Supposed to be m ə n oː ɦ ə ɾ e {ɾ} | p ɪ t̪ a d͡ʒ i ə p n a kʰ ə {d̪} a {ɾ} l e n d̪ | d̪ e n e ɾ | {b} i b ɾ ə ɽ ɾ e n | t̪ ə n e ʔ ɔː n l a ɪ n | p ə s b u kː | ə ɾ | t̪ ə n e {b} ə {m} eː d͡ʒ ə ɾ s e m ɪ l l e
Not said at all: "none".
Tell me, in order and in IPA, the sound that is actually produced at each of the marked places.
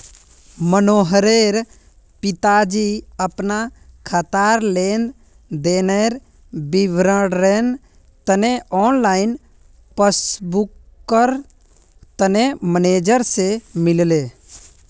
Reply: ɾ, t̪, ɾ, b, m, n

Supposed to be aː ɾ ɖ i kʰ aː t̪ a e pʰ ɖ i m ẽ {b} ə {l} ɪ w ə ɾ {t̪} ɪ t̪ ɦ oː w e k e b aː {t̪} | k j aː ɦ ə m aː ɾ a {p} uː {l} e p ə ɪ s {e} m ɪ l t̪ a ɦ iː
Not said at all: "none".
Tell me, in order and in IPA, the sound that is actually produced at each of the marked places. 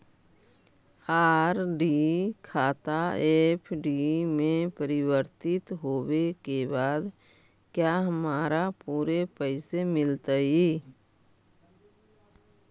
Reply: p, ɾ, t̪, d̪, p, ɾ, e

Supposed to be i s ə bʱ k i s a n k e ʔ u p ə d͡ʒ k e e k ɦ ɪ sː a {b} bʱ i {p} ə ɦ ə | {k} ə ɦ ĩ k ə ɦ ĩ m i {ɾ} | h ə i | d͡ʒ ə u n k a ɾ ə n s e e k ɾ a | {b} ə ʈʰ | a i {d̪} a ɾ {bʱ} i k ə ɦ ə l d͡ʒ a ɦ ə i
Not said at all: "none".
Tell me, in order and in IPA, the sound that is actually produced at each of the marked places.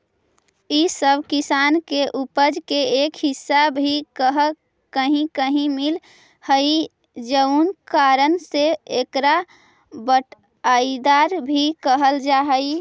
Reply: b, k, k, l, b, d̪, bʱ

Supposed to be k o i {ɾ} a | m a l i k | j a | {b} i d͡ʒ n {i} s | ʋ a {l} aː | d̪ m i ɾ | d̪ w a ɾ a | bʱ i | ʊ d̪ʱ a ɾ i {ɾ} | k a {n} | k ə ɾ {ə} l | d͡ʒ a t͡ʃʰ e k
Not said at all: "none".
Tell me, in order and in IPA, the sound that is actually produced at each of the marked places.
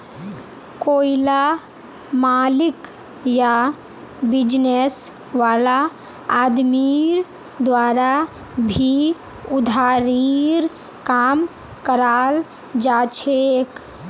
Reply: l, b, e, l, ɾ, m, a

